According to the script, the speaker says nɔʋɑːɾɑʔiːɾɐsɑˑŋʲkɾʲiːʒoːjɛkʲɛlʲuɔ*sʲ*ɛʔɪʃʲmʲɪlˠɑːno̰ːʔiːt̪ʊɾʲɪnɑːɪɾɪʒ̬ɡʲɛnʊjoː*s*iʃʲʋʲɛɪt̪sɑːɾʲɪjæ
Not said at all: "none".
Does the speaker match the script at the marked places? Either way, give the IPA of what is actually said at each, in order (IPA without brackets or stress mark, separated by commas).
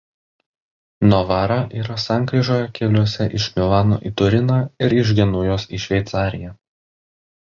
sʲ, s